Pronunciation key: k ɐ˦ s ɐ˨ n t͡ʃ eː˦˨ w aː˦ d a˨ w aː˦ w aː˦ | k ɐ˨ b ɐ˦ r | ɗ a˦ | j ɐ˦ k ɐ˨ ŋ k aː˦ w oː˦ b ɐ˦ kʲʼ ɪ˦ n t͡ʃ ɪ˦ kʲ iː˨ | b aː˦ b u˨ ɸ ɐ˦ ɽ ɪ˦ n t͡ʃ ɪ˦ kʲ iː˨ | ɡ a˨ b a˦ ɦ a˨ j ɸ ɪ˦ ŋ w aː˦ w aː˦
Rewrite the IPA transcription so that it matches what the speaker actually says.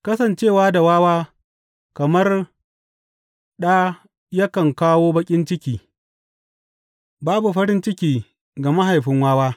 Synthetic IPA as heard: k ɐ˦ s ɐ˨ n t͡ʃ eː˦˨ w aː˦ d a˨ w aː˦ w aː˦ | k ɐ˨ m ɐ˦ r | ɗ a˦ | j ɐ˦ k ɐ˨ ŋ k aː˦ w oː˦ b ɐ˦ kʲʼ ɪ˦ n t͡ʃ ɪ˦ kʲ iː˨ | b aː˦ b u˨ ɸ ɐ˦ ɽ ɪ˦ n t͡ʃ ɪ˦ kʲ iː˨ | ɡ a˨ m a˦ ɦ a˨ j ɸ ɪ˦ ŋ w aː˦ w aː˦